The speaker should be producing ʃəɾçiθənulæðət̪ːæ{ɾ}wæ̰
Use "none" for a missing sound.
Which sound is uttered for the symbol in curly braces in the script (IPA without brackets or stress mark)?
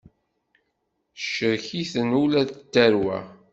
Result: ɾ